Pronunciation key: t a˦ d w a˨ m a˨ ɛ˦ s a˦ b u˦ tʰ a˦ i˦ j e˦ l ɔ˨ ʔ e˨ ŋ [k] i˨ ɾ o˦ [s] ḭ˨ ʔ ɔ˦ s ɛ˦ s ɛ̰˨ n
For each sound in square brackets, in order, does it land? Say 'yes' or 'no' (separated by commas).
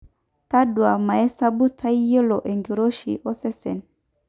no, no